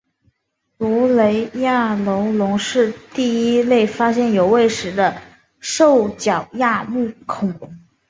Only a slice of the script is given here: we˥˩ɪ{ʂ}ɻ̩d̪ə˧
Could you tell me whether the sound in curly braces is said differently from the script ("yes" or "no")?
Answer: no